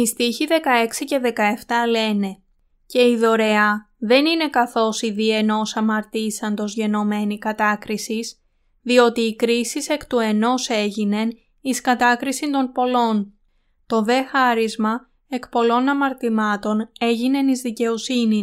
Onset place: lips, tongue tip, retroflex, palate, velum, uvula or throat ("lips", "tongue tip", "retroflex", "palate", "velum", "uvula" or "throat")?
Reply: tongue tip